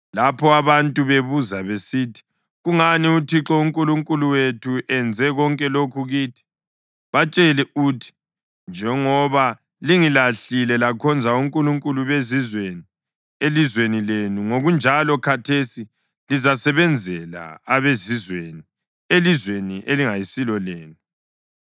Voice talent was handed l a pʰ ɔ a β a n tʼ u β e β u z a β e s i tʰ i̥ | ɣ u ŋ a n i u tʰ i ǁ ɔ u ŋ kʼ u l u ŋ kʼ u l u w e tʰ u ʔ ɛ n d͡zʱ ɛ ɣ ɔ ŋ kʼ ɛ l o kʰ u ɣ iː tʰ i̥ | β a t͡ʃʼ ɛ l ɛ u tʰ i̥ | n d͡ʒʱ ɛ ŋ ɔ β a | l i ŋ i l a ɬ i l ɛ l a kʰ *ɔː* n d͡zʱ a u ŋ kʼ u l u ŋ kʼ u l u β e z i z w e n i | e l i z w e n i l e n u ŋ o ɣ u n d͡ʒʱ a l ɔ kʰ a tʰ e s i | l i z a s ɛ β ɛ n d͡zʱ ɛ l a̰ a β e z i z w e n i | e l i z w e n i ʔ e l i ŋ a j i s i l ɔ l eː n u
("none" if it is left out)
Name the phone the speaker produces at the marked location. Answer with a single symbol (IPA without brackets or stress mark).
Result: ɔ